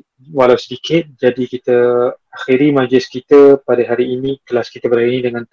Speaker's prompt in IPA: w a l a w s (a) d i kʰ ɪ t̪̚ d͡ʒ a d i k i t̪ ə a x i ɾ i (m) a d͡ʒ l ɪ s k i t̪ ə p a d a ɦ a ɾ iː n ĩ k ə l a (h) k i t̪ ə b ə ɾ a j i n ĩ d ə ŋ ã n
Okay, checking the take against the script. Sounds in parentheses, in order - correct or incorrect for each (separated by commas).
incorrect, correct, incorrect